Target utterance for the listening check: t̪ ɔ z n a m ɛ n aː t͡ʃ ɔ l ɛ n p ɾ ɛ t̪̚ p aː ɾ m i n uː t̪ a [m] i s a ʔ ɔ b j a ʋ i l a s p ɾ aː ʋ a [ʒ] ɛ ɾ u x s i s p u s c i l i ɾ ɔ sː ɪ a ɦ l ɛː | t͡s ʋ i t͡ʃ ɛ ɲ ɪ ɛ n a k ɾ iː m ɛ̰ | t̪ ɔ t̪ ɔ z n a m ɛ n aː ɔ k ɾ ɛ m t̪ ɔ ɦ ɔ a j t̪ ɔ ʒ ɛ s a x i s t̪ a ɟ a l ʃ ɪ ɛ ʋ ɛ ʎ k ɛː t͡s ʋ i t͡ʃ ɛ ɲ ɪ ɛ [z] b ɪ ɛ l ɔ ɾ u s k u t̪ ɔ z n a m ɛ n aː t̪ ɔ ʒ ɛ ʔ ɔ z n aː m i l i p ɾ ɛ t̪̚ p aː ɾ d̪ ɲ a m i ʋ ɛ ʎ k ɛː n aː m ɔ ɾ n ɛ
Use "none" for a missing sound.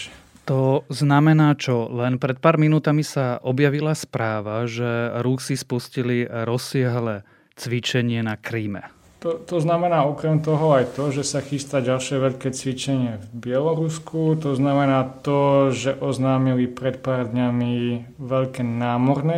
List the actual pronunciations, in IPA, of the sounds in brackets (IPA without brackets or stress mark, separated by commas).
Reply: m, ʒ, v